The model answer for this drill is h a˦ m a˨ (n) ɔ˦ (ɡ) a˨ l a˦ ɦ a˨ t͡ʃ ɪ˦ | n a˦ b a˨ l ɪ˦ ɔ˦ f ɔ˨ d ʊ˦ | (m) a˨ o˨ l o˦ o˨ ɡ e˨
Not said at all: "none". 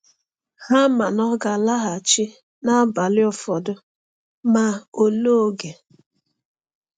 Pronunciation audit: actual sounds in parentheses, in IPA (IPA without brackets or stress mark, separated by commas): n, ɡ, m